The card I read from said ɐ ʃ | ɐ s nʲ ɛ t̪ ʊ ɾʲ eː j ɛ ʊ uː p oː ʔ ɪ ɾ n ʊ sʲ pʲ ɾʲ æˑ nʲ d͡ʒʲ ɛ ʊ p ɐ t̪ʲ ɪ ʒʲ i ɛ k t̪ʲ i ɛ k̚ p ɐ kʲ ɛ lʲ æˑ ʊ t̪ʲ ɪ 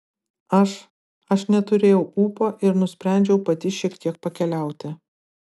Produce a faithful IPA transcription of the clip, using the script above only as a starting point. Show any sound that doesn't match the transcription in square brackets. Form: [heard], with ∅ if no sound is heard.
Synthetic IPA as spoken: ɐ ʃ | ɐ [ʃ] nʲ ɛ t̪ ʊ ɾʲ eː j ɛ ʊ uː p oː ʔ ɪ ɾ n ʊ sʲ pʲ ɾʲ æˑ nʲ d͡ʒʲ ɛ ʊ p ɐ t̪ʲ ɪ [ʃʲ] i ɛ k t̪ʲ i ɛ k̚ p ɐ kʲ ɛ lʲ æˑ ʊ t̪ʲ ɪ